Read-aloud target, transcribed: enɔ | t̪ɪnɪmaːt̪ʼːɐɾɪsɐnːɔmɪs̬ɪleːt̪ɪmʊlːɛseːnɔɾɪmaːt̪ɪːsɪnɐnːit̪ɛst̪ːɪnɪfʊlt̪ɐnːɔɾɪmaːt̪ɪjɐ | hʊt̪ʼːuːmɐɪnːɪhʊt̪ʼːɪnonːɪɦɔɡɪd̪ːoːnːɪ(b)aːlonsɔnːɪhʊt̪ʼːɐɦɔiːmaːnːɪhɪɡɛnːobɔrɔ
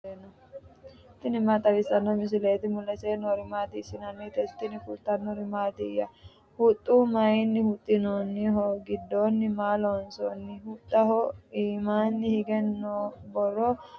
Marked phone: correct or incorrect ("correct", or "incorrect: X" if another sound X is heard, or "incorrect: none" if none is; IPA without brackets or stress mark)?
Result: incorrect: m